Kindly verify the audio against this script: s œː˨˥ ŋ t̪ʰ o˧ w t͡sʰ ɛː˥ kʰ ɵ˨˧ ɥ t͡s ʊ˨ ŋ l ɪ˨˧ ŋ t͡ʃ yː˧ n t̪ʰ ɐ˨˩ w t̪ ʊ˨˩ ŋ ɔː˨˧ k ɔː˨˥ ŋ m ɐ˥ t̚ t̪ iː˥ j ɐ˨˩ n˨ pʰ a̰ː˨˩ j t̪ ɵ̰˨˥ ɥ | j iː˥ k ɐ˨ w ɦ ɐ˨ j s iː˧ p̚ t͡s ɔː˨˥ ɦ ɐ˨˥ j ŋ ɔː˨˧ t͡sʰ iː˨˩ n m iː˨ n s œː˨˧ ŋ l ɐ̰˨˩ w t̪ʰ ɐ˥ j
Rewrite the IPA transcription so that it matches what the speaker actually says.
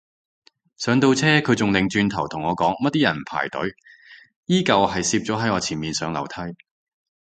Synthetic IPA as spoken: s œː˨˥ ŋ t̪ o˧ w t͡sʰ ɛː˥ kʰ ɵ˨˧ ɥ t͡s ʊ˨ ŋ l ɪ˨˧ ŋ t͡ʃ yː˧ n t̪ʰ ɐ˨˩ w t̪ʰ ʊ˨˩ ŋ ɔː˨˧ k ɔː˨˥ ŋ m ɐ˥ t̚ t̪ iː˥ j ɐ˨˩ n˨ pʰ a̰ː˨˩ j t̪ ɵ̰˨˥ ɥ | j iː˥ k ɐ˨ w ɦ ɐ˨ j s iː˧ p̚ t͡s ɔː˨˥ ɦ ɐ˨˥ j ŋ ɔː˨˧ t͡sʰ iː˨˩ n m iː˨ n s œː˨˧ ŋ l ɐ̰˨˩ w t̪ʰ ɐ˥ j

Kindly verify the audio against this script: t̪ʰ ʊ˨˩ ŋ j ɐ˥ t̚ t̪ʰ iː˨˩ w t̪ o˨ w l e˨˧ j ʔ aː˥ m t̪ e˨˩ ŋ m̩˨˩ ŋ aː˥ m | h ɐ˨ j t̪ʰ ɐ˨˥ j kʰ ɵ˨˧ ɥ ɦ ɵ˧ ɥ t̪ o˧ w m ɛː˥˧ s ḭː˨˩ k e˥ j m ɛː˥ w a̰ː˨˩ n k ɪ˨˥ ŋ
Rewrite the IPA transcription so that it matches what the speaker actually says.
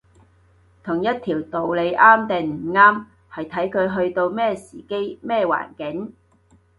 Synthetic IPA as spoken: t̪ʰ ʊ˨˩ ŋ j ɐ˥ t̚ t̪ʰ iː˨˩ w t̪ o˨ w l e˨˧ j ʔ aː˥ m t̪ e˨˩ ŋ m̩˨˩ ŋ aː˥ m | h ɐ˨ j t̪ʰ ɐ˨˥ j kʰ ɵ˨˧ ɥ ɦ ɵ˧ ɥ t̪ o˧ w m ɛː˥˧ s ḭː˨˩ k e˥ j m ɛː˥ w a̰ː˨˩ n k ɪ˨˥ ŋ

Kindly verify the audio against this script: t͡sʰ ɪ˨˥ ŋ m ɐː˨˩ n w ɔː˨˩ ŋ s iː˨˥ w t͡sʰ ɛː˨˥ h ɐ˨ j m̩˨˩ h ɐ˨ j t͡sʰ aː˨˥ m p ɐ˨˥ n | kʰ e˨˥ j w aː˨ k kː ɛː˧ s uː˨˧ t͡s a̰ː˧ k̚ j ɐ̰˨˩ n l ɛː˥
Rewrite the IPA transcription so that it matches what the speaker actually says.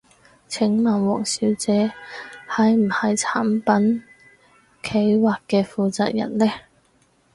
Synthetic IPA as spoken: t͡sʰ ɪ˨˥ ŋ m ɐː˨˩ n w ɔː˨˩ ŋ s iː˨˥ w t͡s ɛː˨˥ h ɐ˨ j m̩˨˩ h ɐ˨ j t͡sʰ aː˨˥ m p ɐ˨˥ n | kʰ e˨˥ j w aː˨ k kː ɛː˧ f uː˨˧ t͡s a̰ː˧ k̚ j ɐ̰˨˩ n l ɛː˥

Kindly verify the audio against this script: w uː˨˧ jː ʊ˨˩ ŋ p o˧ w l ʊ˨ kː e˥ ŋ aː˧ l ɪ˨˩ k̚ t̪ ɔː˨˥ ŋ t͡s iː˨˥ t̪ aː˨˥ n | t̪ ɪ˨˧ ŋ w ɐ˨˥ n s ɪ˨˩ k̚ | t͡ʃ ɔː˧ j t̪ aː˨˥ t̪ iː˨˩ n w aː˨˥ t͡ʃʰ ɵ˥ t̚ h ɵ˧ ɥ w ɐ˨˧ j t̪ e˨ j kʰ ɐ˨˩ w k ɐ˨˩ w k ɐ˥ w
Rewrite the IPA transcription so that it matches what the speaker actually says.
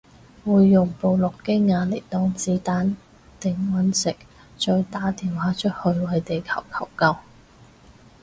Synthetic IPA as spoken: w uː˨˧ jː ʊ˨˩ ŋ p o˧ w l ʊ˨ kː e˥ ŋ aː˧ l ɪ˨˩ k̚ t̪ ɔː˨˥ ŋ t͡s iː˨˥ t̪ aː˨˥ n | t̪ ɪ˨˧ ŋ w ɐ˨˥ n s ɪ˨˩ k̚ | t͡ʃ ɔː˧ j t̪ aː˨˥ t̪ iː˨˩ n w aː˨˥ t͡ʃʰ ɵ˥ t̚ h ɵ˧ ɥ w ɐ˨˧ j t̪ e˨ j kʰ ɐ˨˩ w kʰ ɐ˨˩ w k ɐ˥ w

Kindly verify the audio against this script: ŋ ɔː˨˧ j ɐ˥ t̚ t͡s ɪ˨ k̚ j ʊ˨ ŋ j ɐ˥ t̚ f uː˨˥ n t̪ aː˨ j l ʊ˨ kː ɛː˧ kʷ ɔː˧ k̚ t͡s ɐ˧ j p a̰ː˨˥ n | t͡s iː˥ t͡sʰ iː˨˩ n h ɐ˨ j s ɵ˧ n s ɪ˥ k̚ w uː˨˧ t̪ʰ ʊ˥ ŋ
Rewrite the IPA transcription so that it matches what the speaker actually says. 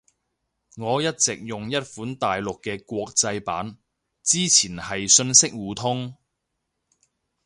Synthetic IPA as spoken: ŋ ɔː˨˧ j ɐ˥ t̚ t͡s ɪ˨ k̚ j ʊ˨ ŋ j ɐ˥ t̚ f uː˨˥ n t̪ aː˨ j l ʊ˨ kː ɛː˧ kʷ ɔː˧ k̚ t͡s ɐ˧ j p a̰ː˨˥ n | t͡s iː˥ t͡sʰ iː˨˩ n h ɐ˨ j s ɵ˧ n s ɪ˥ k̚ w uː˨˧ t̪ʰ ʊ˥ ŋ

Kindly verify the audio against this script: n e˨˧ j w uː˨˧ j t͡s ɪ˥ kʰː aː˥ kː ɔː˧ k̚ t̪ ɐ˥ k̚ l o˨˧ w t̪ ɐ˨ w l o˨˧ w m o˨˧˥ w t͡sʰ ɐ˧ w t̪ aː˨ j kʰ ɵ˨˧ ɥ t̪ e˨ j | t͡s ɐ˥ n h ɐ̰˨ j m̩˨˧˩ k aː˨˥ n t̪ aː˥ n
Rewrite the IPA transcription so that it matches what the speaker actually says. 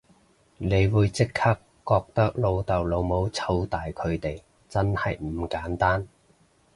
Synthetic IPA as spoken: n e˨˧ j w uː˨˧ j t͡s ɪ˥ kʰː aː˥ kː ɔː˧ k̚ t̪ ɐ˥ k̚ l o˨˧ w t̪ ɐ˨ w l o˨˧ w m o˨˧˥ w t͡sʰ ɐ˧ w t̪ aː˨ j kʰ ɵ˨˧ ɥ t̪ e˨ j | t͡s ɐ˥ n h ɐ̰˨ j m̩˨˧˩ k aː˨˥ n t̪ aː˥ n

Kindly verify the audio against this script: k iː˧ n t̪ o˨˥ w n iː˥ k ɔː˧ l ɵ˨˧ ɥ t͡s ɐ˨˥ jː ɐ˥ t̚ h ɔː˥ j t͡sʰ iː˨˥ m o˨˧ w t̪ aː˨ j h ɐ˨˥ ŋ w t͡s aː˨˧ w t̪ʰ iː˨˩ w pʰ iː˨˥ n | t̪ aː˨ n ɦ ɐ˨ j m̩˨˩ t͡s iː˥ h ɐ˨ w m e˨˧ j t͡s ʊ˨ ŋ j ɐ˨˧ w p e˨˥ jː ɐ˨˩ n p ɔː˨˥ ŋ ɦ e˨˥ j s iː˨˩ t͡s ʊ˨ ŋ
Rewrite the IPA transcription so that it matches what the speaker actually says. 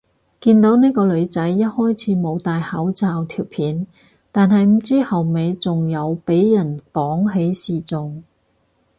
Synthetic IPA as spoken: k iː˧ n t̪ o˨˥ w n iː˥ k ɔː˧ l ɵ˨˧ ɥ t͡s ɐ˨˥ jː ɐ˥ t̚ h ɔː˥ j t͡sʰ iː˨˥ m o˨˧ w t̪ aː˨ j h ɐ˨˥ w t͡s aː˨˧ w t̪ʰ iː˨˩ w pʰ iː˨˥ n | t̪ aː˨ n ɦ ɐ˨ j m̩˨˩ t͡s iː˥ h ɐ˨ w m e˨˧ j t͡s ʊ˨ ŋ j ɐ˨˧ w p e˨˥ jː ɐ˨˩ n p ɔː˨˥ ŋ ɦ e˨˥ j s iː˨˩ t͡s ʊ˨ ŋ

